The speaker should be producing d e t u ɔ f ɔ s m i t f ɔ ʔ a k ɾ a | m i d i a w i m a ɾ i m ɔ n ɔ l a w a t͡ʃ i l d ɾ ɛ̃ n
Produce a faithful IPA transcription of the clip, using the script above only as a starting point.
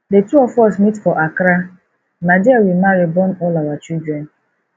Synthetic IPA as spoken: d e t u ɔ f ɔ s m i t f ɔ ʔ a k ɾ a | m a d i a w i m a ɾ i b ɔ n ɔ l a w a t͡ʃ i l d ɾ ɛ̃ n